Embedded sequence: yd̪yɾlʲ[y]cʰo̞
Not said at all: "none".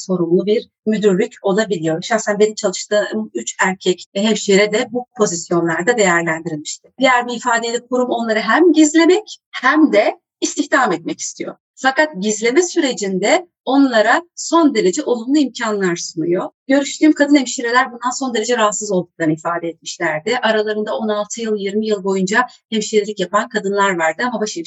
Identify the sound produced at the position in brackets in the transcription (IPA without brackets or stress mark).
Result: y